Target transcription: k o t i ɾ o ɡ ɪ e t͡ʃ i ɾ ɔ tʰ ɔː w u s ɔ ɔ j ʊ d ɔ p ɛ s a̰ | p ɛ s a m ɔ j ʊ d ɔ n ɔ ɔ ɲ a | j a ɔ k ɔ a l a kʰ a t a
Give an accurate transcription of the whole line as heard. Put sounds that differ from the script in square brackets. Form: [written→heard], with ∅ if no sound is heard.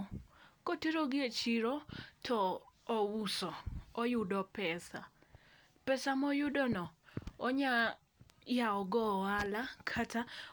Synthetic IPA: k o t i ɾ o ɡ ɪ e t͡ʃ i ɾ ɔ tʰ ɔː w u s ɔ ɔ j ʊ d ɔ p ɛ s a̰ | p ɛ s a m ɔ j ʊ d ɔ n ɔ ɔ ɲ a | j a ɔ [k→ɡ] ɔ a l a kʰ a t a